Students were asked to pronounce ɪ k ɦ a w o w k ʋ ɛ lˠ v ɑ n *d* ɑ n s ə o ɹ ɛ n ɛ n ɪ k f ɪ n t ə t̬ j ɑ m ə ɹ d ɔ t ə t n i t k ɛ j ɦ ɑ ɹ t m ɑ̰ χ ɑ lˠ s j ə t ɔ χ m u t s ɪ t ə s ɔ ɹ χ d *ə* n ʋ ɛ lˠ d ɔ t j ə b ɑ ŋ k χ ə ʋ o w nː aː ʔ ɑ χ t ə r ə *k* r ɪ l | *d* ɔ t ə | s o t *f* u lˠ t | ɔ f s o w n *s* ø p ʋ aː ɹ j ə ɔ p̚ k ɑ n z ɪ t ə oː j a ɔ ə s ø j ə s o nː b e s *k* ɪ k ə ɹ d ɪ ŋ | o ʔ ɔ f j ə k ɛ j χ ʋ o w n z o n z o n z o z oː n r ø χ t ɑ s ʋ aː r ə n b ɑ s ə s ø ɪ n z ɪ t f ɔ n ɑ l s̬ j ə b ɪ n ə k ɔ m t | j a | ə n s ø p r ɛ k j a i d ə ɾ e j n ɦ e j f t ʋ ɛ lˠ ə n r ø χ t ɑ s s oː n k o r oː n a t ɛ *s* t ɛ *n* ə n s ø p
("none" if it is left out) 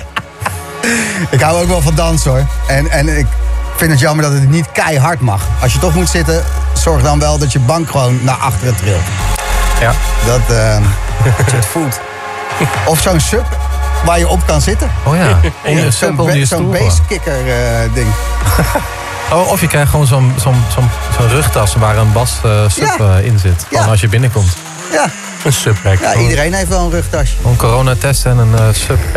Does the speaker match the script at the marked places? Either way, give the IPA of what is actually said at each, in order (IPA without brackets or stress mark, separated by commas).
d, ɑ, t, d, f, s, k, s, n